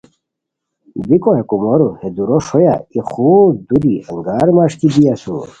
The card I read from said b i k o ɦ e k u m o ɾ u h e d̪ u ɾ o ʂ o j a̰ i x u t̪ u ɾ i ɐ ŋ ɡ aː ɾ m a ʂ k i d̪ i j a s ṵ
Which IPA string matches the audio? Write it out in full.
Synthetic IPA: b i k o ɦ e k u m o ɾ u h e d̪ u ɾ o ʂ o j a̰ i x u d̪ u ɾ i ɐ ŋ ɡ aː ɾ m a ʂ k i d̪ i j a s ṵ